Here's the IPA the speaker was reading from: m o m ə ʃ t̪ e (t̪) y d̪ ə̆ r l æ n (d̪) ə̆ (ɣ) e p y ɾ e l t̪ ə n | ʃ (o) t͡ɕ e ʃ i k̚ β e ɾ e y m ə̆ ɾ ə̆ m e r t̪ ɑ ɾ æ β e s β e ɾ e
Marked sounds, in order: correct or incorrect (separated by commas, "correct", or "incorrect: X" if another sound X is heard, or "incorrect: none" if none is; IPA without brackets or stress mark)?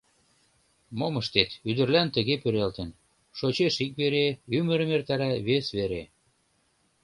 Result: correct, incorrect: t̪, correct, correct